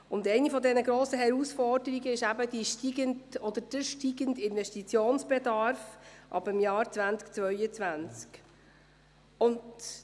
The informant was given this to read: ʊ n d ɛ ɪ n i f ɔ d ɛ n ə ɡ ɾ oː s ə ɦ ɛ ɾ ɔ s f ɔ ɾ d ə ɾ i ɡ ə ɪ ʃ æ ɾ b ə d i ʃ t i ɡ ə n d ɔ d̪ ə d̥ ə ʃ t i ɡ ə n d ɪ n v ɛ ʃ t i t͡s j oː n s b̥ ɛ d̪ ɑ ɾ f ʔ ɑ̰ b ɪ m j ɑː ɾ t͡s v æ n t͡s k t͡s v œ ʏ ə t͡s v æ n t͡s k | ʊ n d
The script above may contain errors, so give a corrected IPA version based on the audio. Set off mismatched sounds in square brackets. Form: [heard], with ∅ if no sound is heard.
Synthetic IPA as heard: ʊ n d ɛ ɪ n i f ɔ d ɛ n ə ɡ ɾ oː s ə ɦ ɛ ɾ [u] s f ɔ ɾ d ə ɾ i ɡ ə ɪ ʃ æ [∅] b ə d i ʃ t i ɡ ə n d ɔ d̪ ə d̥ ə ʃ t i ɡ ə n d ɪ n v ɛ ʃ t i t͡s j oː n s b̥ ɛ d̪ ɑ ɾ f ʔ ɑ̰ b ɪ m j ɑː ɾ t͡s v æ n t͡s k t͡s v œ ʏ ə t͡s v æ n t͡s k | ʊ n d